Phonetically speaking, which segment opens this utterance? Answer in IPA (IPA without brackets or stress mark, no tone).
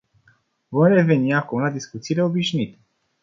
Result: v